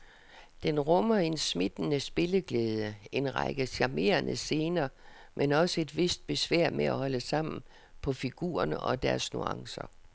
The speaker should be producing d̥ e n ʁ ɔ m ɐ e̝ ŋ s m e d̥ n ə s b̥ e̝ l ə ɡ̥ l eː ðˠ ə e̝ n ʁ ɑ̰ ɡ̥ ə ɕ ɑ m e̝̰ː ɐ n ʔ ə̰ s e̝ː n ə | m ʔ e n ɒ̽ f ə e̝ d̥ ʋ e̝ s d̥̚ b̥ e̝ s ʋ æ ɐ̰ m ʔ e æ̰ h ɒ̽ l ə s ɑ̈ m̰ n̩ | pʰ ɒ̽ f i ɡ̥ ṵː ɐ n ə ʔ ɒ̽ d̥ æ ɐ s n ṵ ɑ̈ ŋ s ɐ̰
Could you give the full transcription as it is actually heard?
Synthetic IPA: d̥ e n ʁ ɔ m ɐ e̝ n s m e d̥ n ə s b̥ e̝ l ə ɡ̥ l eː ðˠ ə e̝ n ʁ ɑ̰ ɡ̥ ə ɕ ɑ m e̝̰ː ɐ n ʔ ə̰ s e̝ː n ɐ | m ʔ e n ɒ̽ s ə e̝ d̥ ʋ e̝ s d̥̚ b̥ e̝ s ʋ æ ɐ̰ m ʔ e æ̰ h ɒ̽ l ə s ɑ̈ m̰ n̩ | pʰ ɒ̽ f i ɡ̥ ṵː ɐ n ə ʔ ɒ̽ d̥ æ ɐ s n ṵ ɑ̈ ŋ s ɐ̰